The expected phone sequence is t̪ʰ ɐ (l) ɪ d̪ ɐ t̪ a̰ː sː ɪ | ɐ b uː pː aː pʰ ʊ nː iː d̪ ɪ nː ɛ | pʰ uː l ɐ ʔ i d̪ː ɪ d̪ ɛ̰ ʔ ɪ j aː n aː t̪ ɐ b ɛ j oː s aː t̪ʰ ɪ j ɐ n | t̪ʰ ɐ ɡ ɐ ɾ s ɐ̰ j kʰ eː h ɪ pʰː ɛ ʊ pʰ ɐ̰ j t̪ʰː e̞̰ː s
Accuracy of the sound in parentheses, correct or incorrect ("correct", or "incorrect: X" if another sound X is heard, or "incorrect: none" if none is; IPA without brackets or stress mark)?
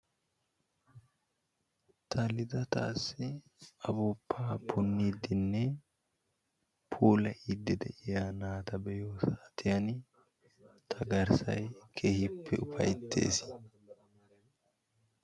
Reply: correct